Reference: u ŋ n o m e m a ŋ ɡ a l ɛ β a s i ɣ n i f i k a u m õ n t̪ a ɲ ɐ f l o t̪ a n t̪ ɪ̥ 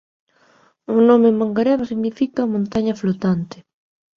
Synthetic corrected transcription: u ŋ n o m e m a ŋ ɡ a ɾ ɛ β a s i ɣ n i f i k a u m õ n t̪ a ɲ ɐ f l o t̪ a n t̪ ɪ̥